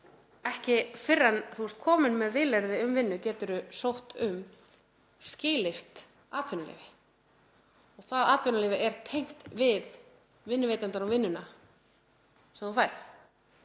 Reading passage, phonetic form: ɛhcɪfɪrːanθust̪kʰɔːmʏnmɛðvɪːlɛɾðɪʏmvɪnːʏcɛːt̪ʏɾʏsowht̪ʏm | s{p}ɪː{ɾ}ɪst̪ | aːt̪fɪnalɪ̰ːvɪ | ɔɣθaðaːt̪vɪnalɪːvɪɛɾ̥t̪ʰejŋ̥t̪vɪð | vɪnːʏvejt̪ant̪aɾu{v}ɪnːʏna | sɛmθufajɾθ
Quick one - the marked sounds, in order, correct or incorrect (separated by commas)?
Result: incorrect, incorrect, correct